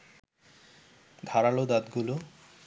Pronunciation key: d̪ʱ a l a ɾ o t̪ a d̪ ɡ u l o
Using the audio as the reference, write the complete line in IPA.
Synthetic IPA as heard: d̪ʱ a ɾ a l o d̪ a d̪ ɡ u l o